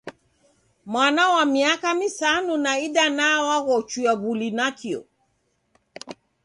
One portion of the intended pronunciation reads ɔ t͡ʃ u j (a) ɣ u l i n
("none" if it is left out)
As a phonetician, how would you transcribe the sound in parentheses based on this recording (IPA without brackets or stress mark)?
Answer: a